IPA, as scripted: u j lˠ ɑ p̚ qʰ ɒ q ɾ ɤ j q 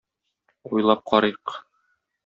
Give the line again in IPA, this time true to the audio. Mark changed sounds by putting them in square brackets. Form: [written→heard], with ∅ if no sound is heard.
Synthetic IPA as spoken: u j lˠ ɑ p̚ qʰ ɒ [q→∅] ɾ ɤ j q